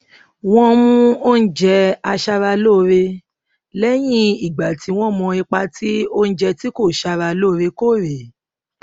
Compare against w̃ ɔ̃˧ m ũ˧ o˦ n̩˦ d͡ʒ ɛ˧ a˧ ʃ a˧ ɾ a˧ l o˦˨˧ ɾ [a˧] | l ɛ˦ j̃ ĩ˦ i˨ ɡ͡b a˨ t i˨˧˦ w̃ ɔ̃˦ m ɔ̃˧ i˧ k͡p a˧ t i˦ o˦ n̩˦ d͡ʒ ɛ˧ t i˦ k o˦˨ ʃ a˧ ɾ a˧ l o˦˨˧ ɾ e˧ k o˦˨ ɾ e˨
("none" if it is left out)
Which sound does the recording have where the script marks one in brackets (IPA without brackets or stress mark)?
e˧